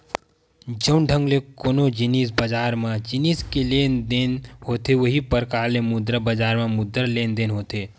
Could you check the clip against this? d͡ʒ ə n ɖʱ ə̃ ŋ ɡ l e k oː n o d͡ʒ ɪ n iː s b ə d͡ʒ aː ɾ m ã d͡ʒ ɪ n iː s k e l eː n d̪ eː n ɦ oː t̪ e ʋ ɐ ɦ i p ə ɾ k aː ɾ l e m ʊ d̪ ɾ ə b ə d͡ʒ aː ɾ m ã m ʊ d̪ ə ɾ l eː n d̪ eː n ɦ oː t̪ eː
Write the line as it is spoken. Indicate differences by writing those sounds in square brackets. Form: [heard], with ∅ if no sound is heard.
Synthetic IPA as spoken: d͡ʒ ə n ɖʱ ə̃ ŋ ɡ l e k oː n o d͡ʒ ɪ n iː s b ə d͡ʒ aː ɾ m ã d͡ʒ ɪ n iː s k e l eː n d̪ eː n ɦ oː t̪ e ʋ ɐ ɦ i p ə ɾ k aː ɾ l e m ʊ d̪ ɾ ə b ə d͡ʒ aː ɾ m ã m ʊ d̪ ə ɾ l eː n d̪ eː n ɦ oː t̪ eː